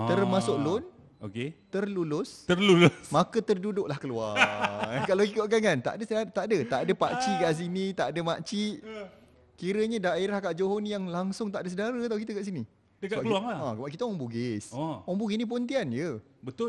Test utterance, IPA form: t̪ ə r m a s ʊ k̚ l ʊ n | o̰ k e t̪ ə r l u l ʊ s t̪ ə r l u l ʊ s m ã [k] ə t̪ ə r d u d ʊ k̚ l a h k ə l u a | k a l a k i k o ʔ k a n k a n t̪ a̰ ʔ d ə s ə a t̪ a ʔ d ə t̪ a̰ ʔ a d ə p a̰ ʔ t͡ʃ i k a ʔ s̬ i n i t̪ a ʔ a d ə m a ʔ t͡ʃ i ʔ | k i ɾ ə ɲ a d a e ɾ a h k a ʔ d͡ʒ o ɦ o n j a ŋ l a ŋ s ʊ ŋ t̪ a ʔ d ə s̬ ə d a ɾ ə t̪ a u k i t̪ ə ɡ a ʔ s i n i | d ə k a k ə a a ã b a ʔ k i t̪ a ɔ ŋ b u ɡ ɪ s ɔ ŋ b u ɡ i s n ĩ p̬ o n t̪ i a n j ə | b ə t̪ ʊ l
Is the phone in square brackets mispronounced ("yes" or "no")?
no